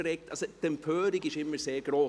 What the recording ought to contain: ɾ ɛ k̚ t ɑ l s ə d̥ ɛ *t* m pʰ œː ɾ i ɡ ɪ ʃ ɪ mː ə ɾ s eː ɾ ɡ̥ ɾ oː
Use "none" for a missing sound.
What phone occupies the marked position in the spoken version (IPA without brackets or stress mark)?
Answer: none